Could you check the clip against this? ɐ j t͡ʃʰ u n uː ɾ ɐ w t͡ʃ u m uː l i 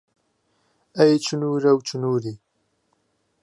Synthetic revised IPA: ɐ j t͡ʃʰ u n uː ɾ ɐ w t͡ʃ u n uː ɾ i